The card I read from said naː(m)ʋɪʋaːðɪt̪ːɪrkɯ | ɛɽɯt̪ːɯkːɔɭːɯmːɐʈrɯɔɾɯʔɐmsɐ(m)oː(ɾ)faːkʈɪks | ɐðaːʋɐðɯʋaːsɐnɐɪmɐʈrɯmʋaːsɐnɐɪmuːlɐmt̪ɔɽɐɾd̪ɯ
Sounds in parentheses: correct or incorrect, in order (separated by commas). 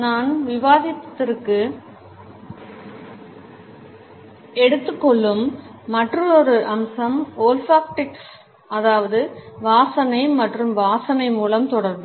incorrect, correct, incorrect